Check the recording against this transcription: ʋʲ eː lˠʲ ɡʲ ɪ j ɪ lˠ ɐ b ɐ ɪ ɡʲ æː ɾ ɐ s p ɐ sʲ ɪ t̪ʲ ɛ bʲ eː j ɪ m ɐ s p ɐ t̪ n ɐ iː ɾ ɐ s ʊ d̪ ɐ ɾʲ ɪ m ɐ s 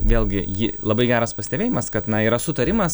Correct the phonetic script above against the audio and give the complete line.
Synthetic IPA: ʋʲ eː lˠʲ ɡʲ ɪ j ɪ lˠ ɐ b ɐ ɪ ɡʲ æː ɾ ɐ s p ɐ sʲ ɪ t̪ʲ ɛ bʲ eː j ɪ m ɐ s k ɐ t̪ n ɐ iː ɾ ɐ s ʊ t̪ ɐ ɾʲ ɪ m ɐ s